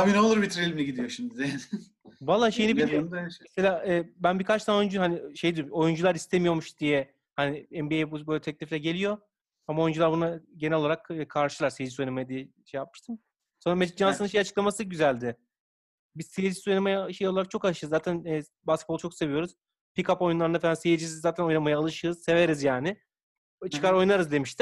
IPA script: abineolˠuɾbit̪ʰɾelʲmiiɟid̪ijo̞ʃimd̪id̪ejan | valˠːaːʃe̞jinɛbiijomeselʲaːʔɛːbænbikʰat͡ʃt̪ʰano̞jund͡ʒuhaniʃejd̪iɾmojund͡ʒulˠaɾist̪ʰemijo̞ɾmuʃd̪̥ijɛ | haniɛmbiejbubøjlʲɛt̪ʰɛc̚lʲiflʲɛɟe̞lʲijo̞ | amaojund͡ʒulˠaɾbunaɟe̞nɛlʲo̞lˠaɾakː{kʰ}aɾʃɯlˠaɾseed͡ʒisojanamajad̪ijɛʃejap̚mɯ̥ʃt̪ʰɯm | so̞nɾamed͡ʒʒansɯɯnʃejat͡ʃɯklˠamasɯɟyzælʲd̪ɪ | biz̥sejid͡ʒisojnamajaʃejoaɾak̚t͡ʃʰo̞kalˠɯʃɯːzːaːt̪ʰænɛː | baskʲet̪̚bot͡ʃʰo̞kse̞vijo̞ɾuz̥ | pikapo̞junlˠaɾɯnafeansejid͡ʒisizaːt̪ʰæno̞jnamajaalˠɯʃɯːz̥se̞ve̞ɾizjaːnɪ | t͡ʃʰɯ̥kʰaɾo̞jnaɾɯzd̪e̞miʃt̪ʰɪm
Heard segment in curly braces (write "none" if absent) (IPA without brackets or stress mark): kʰ